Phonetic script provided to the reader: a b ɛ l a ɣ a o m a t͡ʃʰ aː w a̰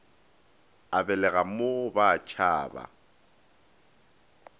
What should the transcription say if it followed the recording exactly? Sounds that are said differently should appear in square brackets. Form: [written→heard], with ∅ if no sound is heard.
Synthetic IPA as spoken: a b ɛ l [a→ɛ] ɣ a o [m→b] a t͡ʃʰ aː [w→b] a̰